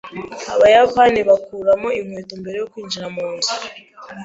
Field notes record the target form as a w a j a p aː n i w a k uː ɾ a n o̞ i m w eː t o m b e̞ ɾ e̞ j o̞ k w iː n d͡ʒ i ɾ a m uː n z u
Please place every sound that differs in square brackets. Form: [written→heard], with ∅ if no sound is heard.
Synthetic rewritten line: a [w→β] a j a p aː n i [w→β] a k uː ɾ a [n→m] o̞ i m w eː t o m b e̞ ɾ e̞ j o̞ k w iː n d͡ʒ i ɾ a m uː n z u